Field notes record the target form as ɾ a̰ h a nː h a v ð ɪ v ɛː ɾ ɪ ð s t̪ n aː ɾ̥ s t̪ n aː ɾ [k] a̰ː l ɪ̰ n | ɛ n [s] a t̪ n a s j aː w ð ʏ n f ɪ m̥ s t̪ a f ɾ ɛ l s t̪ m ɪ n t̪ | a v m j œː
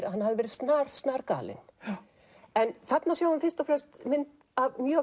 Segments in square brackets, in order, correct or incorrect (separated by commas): correct, incorrect